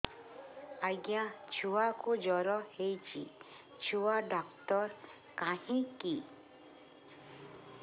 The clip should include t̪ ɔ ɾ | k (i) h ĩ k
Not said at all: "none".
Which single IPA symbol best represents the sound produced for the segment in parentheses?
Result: a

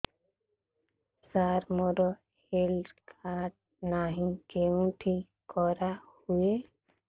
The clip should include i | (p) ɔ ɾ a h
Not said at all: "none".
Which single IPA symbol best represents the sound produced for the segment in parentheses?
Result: k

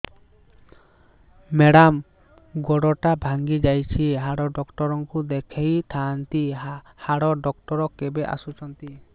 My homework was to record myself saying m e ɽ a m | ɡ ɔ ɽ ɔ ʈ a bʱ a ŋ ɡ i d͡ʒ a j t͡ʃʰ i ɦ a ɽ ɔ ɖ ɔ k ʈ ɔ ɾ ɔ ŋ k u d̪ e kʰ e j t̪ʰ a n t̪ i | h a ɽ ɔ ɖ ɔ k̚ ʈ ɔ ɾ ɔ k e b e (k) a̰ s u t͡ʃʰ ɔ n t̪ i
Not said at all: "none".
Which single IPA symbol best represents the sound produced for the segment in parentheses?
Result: ʔ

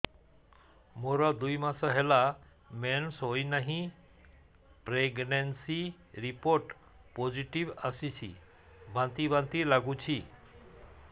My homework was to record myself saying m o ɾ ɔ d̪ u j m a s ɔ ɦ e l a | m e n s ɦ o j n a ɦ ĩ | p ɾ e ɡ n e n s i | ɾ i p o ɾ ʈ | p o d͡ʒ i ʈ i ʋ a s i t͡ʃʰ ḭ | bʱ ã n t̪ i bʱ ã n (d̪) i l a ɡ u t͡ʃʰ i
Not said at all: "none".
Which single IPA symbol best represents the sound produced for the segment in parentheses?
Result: t̪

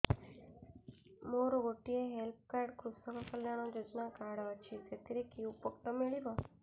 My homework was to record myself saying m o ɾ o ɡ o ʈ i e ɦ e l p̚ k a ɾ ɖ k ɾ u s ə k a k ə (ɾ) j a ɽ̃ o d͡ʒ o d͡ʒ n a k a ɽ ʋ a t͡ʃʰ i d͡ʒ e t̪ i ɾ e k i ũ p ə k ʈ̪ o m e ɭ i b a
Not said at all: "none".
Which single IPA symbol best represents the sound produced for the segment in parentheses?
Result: l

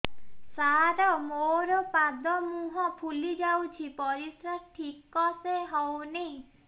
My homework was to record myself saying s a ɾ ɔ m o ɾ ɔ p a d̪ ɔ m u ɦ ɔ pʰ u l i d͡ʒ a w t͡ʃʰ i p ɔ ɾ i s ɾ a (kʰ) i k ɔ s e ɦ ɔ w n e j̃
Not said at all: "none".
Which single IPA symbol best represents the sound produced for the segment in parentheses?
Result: ʈʰ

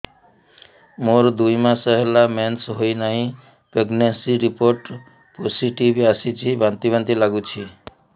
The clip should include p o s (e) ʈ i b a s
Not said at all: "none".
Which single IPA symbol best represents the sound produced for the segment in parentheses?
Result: i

